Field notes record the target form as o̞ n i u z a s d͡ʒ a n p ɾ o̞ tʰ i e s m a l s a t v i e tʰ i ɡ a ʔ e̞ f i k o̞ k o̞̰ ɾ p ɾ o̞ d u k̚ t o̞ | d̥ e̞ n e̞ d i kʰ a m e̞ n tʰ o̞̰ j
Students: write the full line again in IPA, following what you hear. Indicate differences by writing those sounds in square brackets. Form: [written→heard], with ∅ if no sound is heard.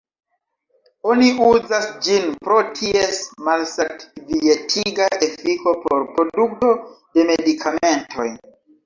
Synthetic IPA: o̞ n i u z a s d͡ʒ [a→i] n p ɾ o̞ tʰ i e s m a l s a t v i e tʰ i ɡ a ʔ e̞ f i k o̞ [k→p] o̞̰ ɾ p ɾ o̞ d u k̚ t o̞ | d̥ e̞ [n→m] e̞ d i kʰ a m e̞ n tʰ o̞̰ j